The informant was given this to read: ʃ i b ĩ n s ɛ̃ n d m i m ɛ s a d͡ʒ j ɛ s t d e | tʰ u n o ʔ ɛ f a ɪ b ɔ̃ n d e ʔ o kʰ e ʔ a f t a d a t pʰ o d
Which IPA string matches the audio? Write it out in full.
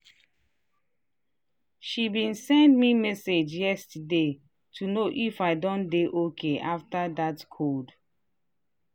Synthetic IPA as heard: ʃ i b ĩ n s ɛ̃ n d m i m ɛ s e d͡ʒ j ɛ s t d e | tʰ u n o ʔ i f a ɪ d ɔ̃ n d e ʔ o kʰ e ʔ a f t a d a t kʰ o d

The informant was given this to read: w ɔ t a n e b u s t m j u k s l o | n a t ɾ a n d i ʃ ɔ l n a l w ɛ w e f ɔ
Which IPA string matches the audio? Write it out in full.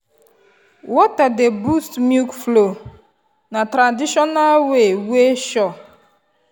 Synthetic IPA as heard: w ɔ t a d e b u s t m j u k f l o | n a t ɾ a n d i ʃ ɔ n a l w e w e ʃ ɔ

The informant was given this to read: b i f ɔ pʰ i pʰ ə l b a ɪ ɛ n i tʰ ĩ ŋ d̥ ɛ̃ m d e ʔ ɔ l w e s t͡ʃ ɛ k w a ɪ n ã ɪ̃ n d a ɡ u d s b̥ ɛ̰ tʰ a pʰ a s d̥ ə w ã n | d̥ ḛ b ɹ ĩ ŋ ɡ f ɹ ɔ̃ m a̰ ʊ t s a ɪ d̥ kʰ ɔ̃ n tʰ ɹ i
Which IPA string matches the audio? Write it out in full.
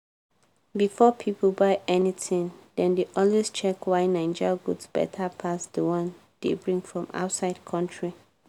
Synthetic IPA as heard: b i f ɔ pʰ i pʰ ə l b a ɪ ɛ n i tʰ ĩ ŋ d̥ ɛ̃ n d e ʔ ɔ l w e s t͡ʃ ɛ k w a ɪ n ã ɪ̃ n d͡ʒ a ɡ u d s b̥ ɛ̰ tʰ a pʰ a s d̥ ə w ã n | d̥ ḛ b ɹ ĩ ŋ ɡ f ɹ ɔ̃ m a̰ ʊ t s a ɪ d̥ kʰ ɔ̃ n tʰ ɹ i

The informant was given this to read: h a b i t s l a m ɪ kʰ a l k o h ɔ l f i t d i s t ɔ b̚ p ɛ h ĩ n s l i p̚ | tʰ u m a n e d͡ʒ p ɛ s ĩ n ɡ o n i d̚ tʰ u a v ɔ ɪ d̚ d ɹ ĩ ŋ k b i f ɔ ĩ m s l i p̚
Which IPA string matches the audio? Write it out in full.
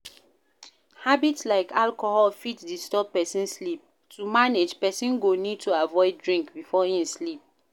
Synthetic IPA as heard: h a b i t s l a ɪ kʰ a l k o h ɔ l f i t d i s t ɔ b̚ p ɛ s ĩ n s l i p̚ | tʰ u m a n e d͡ʒ p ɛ s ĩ n ɡ o n i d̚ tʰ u a v ɔ ɪ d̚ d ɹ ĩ ŋ k b i f ɔ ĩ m s l i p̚

